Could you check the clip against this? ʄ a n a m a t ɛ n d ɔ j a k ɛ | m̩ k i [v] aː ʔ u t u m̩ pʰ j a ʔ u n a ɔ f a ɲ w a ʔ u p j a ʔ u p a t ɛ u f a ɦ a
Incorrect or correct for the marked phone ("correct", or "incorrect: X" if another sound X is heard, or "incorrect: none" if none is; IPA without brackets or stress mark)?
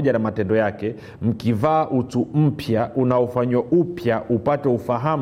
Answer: correct